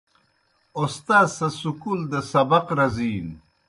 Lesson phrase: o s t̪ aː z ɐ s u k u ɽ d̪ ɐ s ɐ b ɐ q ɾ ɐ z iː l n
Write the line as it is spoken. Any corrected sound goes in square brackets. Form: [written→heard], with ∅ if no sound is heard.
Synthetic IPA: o s t̪ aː [z→s] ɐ s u k u [ɽ→l] d̪ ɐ s ɐ b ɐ q ɾ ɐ z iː [l→∅] n